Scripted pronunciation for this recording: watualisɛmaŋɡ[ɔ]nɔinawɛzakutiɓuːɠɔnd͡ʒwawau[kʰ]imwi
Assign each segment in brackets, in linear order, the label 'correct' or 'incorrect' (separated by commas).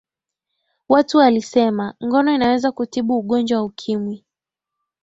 correct, correct